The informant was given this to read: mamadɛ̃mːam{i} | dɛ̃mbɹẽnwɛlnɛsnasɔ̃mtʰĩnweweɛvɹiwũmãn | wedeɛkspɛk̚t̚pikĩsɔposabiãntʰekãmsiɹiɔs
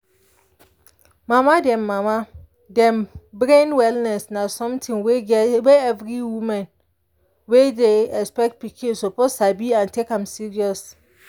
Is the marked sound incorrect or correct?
incorrect